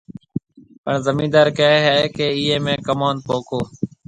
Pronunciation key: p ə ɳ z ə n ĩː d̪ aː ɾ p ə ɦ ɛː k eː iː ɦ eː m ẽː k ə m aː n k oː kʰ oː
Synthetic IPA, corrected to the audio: p ə ɳ z ə m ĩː d̪ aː ɾ k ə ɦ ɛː k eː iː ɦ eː m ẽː k ə m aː n p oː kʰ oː